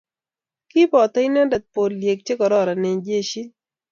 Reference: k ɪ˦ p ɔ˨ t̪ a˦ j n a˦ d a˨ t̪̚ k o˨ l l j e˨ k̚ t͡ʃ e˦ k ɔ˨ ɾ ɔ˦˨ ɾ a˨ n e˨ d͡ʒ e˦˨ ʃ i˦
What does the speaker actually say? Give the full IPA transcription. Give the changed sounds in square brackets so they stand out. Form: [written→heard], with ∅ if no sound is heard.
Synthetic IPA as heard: k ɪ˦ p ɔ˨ t̪ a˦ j n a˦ d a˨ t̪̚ [k→p] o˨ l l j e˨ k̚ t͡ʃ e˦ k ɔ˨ ɾ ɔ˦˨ ɾ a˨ n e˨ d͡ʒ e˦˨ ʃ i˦